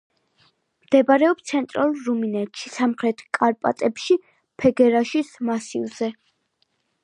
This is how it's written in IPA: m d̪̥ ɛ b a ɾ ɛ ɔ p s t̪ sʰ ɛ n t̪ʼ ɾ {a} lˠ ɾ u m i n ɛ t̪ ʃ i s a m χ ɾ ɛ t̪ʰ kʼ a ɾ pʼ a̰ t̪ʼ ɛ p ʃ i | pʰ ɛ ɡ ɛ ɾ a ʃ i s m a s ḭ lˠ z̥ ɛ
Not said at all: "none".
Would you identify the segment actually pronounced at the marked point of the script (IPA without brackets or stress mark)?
a